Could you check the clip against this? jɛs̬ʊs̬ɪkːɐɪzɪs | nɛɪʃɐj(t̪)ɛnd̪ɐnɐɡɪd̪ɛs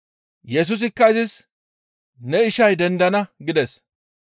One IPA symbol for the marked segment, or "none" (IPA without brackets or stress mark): d̪